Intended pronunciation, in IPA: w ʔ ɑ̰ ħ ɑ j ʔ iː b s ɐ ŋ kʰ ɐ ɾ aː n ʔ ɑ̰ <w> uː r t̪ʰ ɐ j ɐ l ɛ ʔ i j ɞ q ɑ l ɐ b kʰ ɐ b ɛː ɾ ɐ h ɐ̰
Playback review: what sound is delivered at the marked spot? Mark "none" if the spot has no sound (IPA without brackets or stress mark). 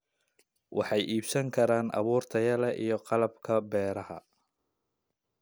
β